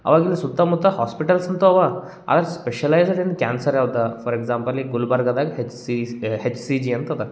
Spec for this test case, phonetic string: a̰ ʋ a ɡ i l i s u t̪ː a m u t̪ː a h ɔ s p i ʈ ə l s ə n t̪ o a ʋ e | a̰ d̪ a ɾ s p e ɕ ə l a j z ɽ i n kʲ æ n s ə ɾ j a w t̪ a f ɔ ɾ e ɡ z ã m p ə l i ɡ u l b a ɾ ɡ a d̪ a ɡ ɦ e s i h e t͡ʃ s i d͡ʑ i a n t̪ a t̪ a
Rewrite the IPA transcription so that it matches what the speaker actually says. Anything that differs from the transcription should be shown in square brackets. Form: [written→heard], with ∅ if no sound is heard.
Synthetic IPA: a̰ ʋ a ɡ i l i s u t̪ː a m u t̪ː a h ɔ s p i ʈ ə l s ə n t̪ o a ʋ [e→a] | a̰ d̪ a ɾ s p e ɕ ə l a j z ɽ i n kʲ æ n s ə ɾ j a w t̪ a f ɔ ɾ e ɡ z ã m p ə l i ɡ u l b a ɾ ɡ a d̪ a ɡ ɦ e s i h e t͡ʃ s i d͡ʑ i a n t̪ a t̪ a